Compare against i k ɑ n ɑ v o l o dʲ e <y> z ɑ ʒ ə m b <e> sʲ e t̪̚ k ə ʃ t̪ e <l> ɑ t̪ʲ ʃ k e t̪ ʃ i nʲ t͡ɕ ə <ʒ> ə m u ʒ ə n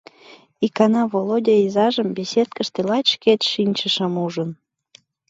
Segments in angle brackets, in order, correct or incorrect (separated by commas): incorrect, correct, correct, incorrect